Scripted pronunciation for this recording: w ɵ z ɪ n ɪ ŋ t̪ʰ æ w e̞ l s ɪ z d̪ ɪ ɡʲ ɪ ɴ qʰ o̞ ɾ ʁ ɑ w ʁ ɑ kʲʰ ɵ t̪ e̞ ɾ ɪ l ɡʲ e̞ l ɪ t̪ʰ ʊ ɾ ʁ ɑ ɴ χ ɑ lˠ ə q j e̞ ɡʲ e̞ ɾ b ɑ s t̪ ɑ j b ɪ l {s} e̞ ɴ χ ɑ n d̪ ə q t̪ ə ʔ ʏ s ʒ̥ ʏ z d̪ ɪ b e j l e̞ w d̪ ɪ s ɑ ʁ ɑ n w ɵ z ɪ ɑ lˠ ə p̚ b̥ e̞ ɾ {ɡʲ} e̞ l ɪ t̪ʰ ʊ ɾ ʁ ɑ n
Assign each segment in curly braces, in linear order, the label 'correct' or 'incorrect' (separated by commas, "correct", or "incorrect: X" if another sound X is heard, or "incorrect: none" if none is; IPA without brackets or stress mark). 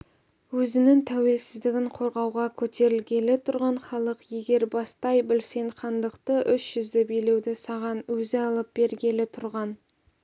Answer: correct, correct